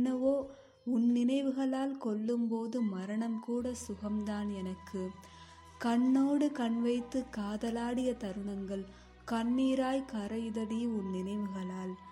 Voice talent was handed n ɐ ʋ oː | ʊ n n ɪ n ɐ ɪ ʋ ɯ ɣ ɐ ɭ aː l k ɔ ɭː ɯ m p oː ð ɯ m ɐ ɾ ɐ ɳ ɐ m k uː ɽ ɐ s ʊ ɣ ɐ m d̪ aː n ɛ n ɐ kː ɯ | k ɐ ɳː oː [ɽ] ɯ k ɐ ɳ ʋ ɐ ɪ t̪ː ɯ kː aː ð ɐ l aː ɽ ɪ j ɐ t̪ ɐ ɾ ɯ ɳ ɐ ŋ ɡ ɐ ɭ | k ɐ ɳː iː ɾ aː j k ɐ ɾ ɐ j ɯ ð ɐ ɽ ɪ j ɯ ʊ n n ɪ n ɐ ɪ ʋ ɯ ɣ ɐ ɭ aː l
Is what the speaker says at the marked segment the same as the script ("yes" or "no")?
yes